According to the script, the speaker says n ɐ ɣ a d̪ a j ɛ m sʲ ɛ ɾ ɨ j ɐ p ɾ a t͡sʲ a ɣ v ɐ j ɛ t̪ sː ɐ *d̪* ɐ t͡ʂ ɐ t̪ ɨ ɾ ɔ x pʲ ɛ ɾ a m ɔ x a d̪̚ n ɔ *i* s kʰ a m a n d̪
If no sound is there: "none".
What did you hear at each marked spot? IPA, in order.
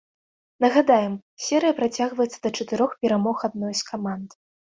d̪, j

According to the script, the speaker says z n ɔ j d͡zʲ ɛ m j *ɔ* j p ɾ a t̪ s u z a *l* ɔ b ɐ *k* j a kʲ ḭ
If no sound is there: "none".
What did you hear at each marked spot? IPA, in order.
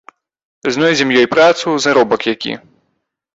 ɔ, ɾ, k

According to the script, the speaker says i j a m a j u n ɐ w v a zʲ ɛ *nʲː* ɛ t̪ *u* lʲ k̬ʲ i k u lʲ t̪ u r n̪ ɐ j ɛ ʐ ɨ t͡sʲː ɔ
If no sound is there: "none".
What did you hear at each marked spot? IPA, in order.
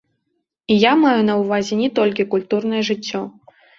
nʲ, ɔ

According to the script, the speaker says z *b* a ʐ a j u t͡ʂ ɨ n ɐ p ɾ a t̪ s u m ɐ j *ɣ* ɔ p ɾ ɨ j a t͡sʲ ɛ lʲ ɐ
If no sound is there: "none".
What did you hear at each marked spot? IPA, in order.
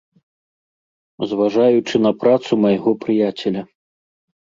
v, ɣ

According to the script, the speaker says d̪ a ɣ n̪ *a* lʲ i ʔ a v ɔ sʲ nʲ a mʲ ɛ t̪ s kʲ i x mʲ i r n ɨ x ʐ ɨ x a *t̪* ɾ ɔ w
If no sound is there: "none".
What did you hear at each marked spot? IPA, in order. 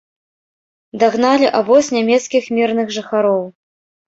a, none

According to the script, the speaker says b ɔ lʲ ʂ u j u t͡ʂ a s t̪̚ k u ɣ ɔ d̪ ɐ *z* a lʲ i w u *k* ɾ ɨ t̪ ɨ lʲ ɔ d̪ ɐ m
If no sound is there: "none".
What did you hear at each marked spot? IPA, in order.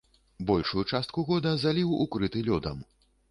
z, k

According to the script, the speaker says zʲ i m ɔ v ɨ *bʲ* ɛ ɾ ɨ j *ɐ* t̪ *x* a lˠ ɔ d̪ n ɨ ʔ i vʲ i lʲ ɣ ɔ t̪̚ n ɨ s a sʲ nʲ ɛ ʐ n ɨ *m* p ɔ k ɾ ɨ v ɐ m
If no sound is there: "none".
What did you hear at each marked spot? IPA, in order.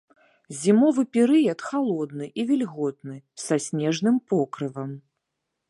pʲ, ɐ, x, m

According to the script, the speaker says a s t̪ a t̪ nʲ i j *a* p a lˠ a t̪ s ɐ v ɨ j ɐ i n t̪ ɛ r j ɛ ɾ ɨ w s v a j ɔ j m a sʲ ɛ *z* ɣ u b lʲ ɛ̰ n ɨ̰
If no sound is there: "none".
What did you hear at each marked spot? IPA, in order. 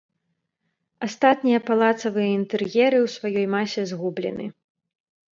ɐ, z

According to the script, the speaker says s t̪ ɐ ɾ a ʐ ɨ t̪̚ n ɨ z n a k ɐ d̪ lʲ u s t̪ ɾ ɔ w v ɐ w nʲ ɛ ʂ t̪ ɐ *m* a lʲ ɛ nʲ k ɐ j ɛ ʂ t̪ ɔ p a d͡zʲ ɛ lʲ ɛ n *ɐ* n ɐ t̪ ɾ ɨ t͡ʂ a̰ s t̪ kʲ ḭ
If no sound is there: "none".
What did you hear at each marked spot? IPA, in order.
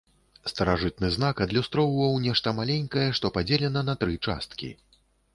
m, ɐ

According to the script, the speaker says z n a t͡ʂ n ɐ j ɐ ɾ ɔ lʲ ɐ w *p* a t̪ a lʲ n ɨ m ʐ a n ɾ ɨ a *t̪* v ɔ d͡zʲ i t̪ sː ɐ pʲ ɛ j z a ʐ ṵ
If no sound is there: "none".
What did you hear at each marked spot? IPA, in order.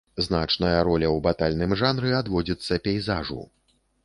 b, d̪

